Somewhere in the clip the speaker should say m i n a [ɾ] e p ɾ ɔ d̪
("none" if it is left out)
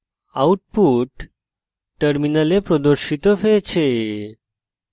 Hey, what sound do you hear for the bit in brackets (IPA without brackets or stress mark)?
l